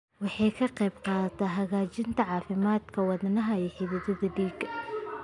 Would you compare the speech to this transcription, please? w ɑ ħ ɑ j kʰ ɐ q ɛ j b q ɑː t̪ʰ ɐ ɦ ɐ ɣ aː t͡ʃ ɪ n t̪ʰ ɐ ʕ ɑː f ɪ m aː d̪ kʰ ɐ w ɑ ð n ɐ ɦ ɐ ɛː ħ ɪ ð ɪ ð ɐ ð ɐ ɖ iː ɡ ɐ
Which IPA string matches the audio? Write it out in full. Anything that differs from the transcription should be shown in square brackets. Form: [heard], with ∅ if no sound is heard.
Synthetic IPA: w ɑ ħ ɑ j kʰ ɐ q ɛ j b q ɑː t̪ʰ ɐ ɦ ɐ ɣ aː t͡ʃ ɪ n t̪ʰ ɐ ʕ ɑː f ɪ m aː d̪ kʰ ɐ w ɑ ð n ɐ ɦ ɐ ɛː ħ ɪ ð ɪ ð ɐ ð ɐ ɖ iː ɡ ɐ